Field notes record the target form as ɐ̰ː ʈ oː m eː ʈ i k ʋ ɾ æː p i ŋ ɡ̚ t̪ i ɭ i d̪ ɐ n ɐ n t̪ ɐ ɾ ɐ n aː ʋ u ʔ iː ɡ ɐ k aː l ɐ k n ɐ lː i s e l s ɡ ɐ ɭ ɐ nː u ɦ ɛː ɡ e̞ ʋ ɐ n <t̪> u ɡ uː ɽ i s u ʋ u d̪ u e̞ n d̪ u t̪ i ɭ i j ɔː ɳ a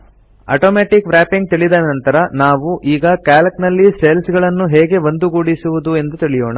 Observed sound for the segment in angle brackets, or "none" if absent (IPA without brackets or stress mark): d̪